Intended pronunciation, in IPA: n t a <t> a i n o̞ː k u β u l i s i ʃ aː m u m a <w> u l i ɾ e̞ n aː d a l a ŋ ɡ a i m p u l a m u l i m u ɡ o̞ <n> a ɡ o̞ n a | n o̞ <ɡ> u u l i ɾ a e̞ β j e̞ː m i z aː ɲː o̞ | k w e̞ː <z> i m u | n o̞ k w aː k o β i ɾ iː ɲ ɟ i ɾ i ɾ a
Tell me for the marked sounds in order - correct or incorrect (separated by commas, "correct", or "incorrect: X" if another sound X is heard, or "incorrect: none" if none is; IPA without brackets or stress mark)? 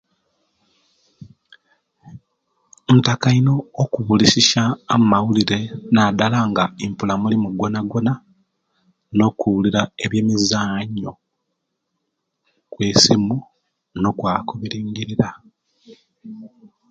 incorrect: k, correct, correct, incorrect: k, incorrect: s